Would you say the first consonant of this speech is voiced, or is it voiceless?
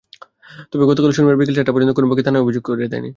voiceless